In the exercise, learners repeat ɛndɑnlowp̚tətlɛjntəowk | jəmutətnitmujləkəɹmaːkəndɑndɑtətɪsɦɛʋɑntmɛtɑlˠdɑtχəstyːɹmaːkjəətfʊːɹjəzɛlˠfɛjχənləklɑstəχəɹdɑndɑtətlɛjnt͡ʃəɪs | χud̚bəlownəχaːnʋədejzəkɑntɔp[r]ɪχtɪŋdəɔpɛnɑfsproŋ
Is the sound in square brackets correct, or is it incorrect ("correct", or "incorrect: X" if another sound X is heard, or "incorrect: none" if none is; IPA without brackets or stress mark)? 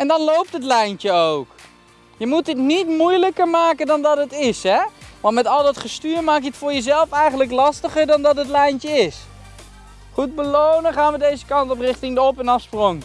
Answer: correct